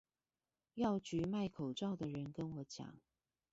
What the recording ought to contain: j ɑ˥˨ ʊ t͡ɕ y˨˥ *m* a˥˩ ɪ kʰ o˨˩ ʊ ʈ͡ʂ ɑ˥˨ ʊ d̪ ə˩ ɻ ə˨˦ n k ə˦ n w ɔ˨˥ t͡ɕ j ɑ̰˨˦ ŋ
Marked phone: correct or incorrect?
correct